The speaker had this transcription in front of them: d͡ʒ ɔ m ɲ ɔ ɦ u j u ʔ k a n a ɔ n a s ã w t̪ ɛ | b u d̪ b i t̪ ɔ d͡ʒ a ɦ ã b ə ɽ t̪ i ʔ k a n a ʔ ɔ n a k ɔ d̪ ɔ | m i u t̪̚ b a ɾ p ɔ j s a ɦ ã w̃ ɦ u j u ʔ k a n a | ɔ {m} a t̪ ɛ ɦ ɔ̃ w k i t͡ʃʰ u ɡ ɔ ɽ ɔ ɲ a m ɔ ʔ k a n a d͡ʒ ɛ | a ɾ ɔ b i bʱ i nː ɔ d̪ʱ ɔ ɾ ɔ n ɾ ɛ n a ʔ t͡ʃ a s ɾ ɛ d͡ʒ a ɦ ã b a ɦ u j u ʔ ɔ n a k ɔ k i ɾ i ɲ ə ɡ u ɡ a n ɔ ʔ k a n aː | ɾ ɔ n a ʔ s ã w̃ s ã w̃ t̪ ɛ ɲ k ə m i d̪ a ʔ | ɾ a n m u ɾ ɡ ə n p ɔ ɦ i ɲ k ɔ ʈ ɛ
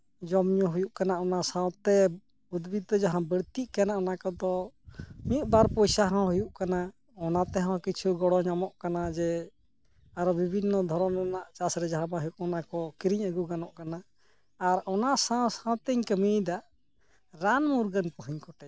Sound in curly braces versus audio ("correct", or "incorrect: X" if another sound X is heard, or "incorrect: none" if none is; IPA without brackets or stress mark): incorrect: n